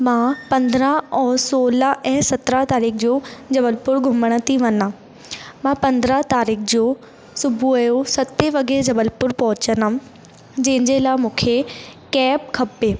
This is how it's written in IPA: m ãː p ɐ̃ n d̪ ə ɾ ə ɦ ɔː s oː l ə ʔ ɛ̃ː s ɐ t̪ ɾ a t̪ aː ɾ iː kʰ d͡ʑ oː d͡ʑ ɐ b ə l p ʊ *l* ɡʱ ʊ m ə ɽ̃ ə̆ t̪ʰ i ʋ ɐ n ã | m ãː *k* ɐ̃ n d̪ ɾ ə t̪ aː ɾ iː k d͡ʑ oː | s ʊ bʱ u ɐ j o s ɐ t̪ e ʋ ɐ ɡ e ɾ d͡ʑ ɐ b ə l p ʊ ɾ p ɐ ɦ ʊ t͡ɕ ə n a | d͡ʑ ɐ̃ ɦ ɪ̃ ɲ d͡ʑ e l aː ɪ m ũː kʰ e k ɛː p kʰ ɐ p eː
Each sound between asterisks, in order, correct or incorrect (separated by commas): incorrect, incorrect